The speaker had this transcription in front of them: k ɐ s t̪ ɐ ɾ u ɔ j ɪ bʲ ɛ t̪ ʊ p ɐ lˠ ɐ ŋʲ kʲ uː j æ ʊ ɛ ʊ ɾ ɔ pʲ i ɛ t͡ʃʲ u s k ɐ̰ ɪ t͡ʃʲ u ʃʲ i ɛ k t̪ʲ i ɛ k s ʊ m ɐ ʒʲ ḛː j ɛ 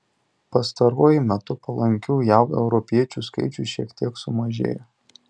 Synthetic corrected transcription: p ɐ s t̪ ɐ ɾ u ɔ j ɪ mʲ ɛ t̪ ʊ p ɐ lˠ ɐ ŋʲ kʲ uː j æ ʊ ɛ ʊ ɾ ɔ pʲ i ɛ t͡ʃʲ u s k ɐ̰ ɪ t͡ʃʲ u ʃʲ i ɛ k t̪ʲ i ɛ k s ʊ m ɐ ʒʲ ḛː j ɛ